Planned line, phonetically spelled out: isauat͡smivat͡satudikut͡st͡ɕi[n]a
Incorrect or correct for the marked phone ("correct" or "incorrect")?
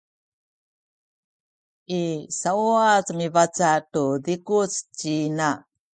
correct